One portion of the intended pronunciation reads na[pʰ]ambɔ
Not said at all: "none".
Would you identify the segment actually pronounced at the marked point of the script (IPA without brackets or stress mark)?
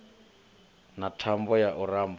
tʰ